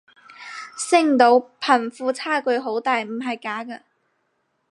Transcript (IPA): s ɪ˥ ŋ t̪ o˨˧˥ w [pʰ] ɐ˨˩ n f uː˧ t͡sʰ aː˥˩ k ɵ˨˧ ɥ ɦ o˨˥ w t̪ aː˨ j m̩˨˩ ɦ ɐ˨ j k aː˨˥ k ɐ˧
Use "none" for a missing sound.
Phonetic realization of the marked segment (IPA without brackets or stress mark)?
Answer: pʰ